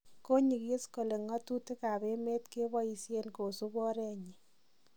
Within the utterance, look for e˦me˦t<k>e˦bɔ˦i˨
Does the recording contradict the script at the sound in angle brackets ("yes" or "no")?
no